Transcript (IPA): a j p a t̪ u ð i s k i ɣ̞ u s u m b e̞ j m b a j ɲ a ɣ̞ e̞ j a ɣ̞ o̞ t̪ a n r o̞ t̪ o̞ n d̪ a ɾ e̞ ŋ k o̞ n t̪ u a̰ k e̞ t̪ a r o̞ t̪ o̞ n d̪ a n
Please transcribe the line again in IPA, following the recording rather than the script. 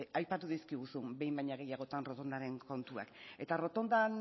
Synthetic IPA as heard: a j p a t̪ u ð i s k i ɣ̞ u s u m b e̞ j m b a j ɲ a ɣ̞ e̞ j a ɣ̞ o̞ t̪ a n r o̞ t̪ o̞ n d̪ a ɾ e̞ ŋ k o̞ n t̪ u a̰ k e̞ t̪ a r o̞ t̪ o̞ n d̪ a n